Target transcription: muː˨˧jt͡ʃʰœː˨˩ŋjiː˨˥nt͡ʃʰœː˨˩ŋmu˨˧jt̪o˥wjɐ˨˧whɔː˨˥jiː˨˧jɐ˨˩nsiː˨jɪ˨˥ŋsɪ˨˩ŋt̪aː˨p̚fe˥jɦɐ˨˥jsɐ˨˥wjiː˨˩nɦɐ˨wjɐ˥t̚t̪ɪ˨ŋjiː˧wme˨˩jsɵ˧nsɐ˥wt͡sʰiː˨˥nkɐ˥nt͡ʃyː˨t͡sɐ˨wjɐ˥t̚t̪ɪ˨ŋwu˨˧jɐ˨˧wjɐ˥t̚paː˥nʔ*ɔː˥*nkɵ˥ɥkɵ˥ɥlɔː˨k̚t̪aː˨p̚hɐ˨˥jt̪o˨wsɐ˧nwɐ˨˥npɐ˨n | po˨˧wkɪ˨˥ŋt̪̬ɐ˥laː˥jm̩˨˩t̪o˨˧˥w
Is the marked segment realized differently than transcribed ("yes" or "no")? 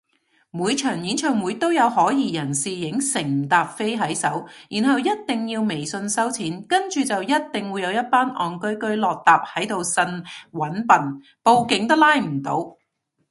yes